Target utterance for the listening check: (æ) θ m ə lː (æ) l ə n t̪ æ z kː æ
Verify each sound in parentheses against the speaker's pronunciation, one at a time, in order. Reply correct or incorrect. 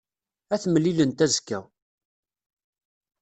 correct, incorrect: i

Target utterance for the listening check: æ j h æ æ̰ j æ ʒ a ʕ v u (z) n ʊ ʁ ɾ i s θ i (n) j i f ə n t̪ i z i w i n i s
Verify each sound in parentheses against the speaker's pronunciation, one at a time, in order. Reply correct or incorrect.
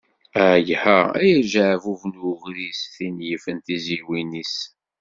incorrect: v, correct

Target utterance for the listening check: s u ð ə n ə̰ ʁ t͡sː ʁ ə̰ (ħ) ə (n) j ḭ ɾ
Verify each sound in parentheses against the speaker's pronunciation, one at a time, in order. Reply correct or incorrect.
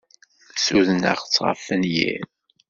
incorrect: f, correct

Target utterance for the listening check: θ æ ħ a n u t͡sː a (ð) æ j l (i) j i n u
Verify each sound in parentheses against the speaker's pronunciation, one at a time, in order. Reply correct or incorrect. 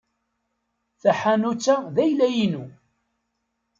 correct, incorrect: æ

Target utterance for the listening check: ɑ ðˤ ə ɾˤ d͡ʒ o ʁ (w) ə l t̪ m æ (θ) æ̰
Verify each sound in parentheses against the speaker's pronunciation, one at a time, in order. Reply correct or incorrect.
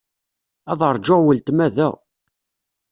correct, incorrect: ð

